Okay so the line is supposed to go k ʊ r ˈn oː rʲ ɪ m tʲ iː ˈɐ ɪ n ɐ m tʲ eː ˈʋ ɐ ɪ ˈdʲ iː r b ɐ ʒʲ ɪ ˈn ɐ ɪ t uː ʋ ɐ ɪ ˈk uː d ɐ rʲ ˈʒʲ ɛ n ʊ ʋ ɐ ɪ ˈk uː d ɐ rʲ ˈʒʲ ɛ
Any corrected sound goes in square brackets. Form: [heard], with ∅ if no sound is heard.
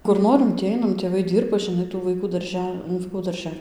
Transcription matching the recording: k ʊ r ˈn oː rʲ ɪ m tʲ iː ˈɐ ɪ n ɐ m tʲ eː ˈʋ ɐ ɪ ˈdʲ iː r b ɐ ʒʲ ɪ ˈn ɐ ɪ t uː ʋ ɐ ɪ ˈk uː d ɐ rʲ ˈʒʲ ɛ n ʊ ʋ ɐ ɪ ˈk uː d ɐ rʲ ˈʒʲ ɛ